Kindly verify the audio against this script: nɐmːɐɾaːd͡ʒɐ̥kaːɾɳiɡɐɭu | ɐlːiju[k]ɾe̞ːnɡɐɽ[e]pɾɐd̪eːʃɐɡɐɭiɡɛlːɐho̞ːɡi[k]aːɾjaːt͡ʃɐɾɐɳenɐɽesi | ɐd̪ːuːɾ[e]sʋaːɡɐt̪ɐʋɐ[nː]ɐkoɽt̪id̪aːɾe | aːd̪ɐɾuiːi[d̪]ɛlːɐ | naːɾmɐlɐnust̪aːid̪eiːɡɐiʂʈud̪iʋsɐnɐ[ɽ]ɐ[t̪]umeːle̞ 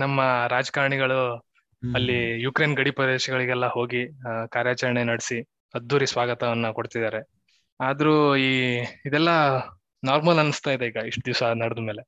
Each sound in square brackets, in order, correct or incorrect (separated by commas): correct, incorrect, correct, incorrect, correct, correct, correct, incorrect